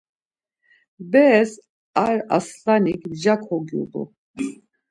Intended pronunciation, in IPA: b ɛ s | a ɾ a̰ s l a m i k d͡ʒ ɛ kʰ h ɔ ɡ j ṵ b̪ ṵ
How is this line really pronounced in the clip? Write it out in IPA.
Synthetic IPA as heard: b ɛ s | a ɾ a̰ s l a n i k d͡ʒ a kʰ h ɔ ɡ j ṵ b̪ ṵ